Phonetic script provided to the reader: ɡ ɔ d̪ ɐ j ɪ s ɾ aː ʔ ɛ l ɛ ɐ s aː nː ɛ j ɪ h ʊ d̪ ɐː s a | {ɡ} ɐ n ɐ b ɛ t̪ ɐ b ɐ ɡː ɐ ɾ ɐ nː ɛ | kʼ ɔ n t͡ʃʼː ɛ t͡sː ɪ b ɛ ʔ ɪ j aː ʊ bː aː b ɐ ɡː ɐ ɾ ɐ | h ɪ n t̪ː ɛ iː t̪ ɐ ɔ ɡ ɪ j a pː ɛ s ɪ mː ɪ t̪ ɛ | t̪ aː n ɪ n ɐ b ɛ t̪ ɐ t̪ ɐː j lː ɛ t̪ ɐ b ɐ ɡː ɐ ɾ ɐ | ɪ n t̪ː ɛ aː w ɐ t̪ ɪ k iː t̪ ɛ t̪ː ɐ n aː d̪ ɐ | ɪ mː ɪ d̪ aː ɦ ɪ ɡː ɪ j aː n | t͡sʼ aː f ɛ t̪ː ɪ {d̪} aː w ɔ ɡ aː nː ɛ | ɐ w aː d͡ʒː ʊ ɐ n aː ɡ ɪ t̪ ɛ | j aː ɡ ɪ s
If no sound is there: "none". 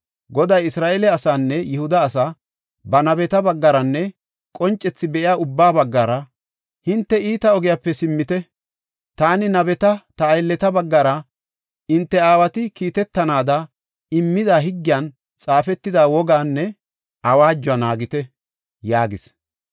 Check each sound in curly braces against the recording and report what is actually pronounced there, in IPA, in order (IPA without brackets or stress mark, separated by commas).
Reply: b, d̪